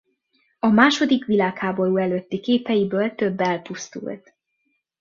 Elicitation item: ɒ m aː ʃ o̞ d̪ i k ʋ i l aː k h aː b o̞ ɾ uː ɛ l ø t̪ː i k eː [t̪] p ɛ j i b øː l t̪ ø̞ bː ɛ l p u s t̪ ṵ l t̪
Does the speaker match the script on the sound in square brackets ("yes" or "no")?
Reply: no